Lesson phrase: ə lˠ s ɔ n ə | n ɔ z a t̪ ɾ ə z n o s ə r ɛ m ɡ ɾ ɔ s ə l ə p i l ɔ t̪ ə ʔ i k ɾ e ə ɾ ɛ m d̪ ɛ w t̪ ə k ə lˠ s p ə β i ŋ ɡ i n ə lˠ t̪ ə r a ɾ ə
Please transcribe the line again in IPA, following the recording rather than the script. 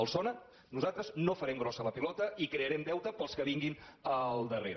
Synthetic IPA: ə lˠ s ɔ n ə | n u z a t̪ ɾ ə z n o f ə ɾ ɛ m ɡ ɾ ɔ s ə l ə p i l ɔ t̪ ə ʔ i k ɾ e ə ɾ ɛ m d̪ ɛ w t̪ ə p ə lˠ s k ə β i ŋ ɡ i n ə lˠ d̪ ə r e ɾ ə